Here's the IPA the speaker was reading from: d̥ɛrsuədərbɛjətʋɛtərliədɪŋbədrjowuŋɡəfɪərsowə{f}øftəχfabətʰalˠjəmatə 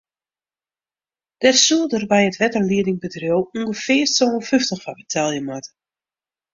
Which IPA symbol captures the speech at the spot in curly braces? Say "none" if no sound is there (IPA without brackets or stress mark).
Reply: f